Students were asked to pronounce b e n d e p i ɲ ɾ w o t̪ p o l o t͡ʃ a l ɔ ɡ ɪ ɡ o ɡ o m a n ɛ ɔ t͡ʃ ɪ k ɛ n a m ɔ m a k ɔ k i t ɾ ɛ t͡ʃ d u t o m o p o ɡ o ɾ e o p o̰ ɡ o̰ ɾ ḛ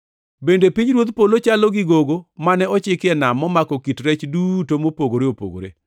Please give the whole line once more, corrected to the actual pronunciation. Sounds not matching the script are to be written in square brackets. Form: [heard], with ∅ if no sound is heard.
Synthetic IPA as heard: b e n d e p i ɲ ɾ w o t̪ p o l o t͡ʃ a l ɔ ɡ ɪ ɡ o ɡ o m a n ɛ ɔ t͡ʃ ɪ k ɛ n a m ɔ m a k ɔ k i t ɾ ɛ t͡ʃ d u t o m o p o ɡ o ɾ e o p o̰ ɡ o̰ ɾ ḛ